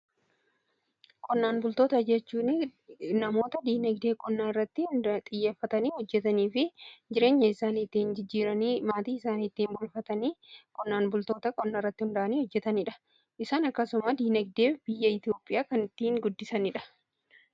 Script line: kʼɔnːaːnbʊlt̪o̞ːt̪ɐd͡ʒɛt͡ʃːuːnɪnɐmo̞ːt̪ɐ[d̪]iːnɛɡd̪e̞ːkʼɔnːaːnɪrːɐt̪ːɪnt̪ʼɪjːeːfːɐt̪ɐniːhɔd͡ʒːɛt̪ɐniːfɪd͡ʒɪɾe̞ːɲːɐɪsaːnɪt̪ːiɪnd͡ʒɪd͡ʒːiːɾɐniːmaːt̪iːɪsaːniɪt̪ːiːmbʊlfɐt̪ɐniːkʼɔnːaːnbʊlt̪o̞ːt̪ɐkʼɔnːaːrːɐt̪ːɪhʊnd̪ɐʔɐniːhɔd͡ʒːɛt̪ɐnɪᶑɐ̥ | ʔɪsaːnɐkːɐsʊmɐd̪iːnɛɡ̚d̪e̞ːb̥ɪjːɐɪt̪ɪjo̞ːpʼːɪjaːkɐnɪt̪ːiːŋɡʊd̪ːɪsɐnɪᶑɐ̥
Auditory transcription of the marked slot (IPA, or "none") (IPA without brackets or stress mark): d̪